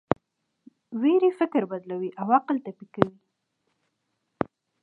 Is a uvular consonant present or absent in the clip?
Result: present